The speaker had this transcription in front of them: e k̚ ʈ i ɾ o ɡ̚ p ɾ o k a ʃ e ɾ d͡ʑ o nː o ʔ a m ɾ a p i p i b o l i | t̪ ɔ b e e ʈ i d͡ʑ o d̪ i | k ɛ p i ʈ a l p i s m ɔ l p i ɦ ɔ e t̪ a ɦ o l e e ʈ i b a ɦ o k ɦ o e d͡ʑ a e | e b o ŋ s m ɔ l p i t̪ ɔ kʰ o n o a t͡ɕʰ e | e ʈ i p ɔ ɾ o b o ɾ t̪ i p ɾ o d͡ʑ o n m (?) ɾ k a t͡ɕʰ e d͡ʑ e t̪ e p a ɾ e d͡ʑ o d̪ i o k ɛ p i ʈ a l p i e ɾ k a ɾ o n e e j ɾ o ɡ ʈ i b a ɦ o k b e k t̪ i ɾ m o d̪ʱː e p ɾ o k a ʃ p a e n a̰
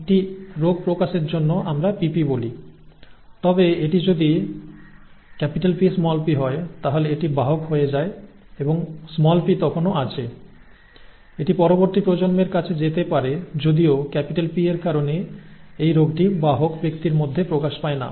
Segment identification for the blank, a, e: e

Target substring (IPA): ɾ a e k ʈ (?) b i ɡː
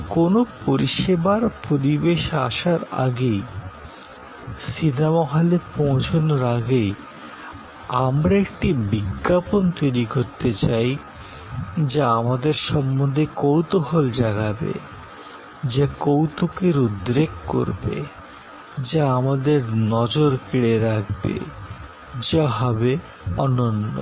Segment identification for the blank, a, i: i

